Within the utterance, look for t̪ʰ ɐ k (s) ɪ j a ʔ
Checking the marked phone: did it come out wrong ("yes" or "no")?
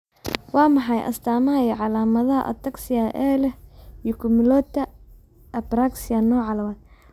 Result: no